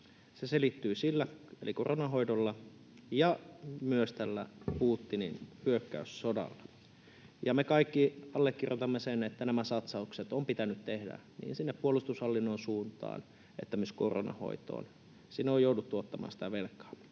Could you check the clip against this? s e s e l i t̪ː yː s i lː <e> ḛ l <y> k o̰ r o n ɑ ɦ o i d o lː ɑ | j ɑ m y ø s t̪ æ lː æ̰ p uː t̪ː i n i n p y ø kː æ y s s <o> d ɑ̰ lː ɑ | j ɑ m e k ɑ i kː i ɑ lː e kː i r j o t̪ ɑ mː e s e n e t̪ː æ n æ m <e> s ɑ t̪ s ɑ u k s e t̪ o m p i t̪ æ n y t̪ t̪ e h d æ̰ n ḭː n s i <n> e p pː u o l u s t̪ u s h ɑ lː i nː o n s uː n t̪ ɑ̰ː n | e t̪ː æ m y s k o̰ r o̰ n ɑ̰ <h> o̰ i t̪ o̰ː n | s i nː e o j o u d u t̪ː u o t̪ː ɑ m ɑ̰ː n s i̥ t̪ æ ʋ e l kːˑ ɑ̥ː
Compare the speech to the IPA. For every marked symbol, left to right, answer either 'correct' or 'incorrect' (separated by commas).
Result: incorrect, incorrect, correct, incorrect, incorrect, correct